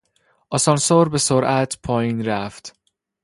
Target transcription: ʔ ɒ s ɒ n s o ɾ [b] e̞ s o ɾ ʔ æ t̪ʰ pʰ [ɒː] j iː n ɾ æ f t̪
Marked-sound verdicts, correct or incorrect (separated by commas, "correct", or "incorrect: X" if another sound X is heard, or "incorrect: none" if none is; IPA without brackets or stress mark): correct, correct